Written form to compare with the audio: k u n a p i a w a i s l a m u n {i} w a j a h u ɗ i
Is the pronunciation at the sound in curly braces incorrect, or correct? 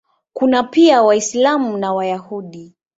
incorrect